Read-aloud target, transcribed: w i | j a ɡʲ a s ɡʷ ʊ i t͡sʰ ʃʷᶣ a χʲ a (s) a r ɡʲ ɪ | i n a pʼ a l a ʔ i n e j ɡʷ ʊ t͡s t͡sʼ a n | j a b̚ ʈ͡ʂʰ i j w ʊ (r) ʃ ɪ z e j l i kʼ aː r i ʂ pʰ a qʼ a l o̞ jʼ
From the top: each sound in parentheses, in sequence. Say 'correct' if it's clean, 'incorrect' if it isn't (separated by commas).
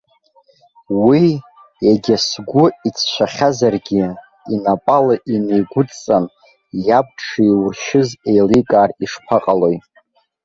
incorrect, correct